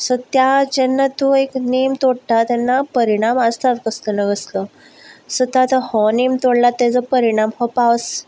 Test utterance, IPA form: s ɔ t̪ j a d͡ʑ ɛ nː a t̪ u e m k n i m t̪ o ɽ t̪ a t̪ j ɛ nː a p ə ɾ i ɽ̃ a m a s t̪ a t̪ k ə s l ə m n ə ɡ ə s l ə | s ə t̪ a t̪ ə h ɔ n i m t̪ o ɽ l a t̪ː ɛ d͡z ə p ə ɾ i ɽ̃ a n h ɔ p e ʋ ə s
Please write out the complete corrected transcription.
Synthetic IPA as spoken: s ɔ t̪ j a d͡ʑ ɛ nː a t̪ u e k n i m t̪ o ɽ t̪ a t̪ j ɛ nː a p ə ɾ i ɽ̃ a m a s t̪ a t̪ k ə s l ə n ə ɡ ə s l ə | s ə t̪ a t̪ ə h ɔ n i m t̪ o ɽ l a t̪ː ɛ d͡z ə p ə ɾ i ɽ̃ a m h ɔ p a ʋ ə s